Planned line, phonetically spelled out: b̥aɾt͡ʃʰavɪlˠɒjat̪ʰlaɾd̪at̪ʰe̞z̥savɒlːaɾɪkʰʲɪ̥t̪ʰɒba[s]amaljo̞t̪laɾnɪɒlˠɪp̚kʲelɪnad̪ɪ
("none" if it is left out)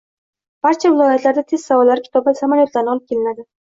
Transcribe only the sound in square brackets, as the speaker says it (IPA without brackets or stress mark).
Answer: s